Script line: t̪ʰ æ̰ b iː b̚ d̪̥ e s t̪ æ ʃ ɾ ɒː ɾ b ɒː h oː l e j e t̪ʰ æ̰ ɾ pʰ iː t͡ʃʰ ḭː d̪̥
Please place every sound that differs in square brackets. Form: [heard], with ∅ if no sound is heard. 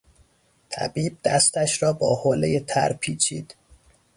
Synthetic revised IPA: t̪ʰ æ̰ b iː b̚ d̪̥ [æ] s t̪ æ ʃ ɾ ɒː [∅] b ɒː h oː l e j e t̪ʰ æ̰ ɾ pʰ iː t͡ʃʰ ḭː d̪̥